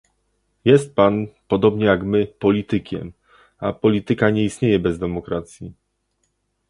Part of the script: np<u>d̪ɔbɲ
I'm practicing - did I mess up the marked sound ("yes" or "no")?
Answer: yes